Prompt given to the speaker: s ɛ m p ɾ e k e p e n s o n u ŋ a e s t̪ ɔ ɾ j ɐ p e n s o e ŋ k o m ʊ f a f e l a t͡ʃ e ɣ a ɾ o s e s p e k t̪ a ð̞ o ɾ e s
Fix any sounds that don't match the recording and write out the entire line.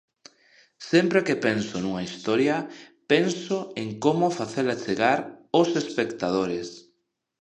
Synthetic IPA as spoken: s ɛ m p ɾ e k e p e n s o n u ŋ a i s t̪ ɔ ɾ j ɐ p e n s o e ŋ k o m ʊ f a θ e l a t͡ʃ e ɣ a ɾ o s e s p e k t̪ a ð̞ o ɾ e s